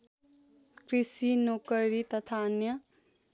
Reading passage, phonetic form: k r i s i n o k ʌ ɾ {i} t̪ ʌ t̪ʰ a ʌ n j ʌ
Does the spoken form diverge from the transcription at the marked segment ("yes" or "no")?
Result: no